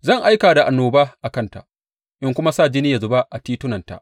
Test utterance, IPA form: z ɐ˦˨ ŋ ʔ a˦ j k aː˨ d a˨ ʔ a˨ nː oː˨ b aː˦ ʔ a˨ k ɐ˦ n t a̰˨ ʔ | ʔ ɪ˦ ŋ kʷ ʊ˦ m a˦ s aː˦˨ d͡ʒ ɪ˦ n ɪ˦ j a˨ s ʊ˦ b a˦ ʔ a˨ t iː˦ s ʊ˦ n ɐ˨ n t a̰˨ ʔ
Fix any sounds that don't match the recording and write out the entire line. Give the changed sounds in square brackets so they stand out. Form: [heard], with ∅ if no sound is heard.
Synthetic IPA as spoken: z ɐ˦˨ ŋ ʔ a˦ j k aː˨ d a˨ ʔ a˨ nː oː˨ b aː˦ ʔ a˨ k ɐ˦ n t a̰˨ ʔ | ʔ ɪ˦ ŋ kʷ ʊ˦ m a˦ s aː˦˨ d͡ʒ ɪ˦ n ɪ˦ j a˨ [z] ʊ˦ b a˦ ʔ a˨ t iː˦ [t] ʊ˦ n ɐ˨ n t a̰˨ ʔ